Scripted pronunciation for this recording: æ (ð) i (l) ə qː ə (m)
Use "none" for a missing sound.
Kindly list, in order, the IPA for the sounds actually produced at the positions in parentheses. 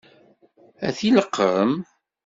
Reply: θ, l, m

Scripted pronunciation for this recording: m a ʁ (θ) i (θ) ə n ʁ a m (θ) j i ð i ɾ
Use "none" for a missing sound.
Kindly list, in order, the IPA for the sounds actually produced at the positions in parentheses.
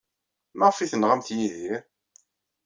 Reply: f, θ, θ

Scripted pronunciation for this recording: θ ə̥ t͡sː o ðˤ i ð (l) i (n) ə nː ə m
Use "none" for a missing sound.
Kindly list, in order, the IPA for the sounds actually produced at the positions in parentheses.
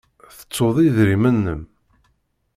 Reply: ɾ, m

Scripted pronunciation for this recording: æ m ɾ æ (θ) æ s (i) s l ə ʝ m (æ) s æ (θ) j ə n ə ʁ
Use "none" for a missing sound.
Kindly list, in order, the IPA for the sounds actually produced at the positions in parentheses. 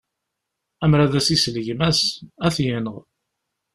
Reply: ð, i, æ, θ

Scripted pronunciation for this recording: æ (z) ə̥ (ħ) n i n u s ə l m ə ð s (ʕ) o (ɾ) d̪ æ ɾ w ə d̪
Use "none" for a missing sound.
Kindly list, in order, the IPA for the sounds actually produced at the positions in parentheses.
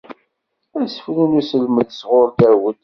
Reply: s, f, ʁ, ɾ

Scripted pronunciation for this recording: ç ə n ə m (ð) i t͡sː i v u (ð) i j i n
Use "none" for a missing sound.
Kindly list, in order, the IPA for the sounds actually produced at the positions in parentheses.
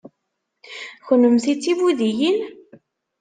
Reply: θ, ð

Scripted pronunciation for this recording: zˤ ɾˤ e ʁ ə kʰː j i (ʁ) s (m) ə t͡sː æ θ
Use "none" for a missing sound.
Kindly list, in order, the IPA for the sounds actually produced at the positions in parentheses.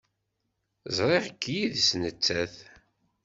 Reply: ð, n

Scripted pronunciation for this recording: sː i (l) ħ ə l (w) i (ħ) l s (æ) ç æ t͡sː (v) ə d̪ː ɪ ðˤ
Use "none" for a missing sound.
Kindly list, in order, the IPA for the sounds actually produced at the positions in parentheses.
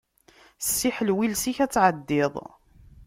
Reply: none, w, none, i, ʕ

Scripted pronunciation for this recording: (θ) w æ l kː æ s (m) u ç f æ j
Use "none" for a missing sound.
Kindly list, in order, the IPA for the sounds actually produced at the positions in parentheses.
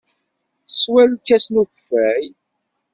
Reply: s, n

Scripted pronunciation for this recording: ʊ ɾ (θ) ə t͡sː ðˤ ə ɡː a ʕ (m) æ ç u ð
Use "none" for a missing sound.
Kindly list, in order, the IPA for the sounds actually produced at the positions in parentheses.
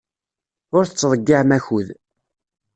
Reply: θ, m

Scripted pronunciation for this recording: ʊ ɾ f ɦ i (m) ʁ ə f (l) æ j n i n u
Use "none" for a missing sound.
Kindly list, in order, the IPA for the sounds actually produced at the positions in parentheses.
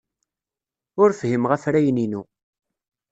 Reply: m, ɾ

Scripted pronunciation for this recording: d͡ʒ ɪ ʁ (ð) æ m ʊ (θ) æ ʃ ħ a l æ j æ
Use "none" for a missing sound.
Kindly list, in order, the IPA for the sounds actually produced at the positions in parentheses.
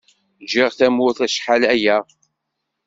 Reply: θ, θ

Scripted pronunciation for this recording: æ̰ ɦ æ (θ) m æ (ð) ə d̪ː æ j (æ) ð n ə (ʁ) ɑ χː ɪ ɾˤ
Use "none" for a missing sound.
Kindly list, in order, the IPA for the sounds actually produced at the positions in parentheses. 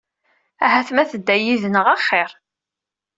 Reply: θ, θ, i, ʁ

